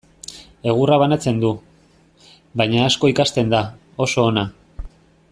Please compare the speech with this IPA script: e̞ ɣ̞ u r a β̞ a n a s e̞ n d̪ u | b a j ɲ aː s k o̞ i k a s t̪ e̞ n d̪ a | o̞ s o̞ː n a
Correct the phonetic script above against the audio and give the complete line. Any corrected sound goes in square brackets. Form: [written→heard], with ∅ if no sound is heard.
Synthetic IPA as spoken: e̞ ɣ̞ u r a β̞ a n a [s→t͡s] e̞ n d̪ u | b a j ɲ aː s k o̞ i k a s t̪ e̞ n d̪ a | o̞ s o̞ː n a